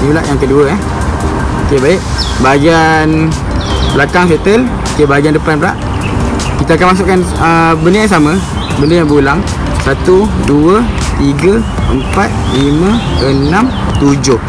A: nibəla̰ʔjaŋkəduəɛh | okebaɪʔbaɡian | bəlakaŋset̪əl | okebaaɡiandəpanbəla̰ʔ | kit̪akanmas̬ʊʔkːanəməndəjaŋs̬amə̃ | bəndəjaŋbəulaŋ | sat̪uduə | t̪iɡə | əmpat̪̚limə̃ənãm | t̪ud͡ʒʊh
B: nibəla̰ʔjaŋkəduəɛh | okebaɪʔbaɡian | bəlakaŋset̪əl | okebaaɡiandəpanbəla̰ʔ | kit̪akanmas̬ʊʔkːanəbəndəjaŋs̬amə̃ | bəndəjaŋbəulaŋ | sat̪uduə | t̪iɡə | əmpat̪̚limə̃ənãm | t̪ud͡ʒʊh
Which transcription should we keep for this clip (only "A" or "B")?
B